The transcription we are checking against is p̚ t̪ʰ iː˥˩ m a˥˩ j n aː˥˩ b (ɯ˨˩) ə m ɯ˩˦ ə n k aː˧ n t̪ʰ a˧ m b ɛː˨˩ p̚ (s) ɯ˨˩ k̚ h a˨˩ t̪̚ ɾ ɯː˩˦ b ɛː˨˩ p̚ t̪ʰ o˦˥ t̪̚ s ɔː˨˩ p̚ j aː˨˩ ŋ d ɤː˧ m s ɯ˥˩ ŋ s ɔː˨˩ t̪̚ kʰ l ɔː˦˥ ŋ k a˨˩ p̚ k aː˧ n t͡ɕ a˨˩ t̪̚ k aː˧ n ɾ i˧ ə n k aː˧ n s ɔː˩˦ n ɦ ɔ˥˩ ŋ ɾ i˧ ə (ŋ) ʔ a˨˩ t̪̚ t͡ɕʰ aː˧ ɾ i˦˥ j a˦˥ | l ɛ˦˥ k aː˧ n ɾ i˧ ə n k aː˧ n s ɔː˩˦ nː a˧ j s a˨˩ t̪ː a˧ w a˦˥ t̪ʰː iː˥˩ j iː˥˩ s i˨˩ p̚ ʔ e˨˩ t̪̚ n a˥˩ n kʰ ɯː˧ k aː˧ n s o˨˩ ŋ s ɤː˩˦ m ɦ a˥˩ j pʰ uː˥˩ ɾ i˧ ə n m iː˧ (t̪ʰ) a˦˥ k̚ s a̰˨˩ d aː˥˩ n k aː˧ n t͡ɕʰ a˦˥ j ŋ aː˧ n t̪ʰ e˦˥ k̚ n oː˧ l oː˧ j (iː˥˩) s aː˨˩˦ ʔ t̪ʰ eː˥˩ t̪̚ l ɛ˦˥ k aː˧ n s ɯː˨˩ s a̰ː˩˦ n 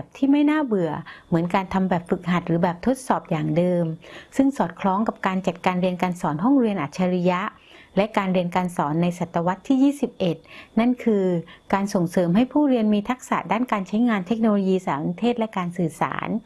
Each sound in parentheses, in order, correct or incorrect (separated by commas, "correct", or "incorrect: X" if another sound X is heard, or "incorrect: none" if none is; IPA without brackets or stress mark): correct, incorrect: f, incorrect: n, correct, incorrect: iː˧